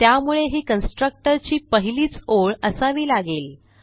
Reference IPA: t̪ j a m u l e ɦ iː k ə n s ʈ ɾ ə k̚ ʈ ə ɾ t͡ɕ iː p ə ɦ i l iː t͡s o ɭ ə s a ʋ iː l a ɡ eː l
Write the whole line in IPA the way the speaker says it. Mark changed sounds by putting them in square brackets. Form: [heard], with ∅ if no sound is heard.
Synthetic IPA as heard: t̪ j a m u [ɭ] e ɦ iː k ə n s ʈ ɾ ə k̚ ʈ ə ɾ t͡ɕ iː p ə ɦ i l iː t͡s o ɭ ə s a ʋ iː l a ɡ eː l